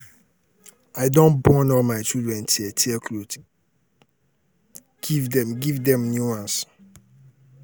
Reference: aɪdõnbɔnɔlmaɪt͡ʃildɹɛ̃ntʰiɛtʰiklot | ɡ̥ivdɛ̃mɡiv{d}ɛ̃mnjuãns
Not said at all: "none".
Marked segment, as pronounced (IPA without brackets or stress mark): d